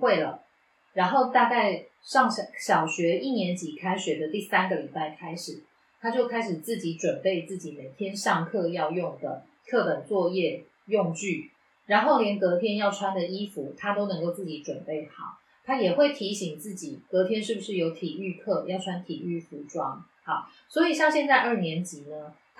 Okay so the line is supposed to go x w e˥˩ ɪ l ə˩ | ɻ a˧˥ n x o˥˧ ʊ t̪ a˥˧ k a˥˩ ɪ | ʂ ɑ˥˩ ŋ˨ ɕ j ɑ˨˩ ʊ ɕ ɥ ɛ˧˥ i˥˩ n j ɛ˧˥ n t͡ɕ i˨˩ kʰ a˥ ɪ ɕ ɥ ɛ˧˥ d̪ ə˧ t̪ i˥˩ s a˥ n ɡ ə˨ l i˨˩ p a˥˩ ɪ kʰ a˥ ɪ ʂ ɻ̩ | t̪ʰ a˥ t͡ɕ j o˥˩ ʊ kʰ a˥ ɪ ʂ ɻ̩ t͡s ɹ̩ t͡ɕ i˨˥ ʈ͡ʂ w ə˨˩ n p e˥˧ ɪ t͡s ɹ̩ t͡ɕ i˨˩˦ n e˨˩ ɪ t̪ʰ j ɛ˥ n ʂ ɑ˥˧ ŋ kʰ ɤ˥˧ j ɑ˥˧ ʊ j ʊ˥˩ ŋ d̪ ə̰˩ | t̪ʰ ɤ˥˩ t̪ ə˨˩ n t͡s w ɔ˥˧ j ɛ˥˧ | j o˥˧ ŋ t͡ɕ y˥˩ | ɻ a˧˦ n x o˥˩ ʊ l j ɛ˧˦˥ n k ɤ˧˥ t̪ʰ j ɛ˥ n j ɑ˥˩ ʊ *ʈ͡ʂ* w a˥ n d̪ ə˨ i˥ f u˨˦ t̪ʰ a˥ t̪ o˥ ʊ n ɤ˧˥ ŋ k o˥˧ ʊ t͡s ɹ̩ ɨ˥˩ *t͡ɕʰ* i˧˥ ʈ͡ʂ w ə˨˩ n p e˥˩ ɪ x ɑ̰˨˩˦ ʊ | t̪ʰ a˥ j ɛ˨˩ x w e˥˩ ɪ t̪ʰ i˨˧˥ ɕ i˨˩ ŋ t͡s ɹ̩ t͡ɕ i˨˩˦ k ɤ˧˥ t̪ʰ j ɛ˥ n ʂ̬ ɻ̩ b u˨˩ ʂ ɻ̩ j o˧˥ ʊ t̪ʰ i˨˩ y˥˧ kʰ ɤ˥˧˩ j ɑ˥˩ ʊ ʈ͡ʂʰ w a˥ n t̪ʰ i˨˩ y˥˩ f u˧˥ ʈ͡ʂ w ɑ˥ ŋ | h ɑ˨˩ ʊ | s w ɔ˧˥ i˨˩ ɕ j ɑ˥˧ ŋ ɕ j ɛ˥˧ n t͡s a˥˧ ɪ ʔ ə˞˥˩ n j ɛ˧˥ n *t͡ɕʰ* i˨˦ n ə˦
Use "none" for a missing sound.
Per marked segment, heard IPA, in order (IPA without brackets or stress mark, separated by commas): ʈ͡ʂʰ, t͡ɕ, t͡ɕ